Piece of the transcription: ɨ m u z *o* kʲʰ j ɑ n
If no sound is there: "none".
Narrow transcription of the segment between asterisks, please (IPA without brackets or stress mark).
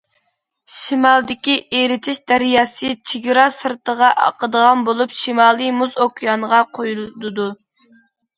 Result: o